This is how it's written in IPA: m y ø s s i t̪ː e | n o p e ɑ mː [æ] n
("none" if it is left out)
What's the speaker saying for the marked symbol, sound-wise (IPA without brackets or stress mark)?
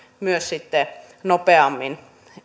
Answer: i